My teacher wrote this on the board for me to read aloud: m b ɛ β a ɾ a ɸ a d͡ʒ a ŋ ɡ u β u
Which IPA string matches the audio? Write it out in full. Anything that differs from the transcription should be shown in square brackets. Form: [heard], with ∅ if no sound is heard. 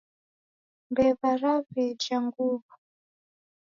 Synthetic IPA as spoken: m b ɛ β a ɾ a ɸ [ɛ] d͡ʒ a ŋ ɡ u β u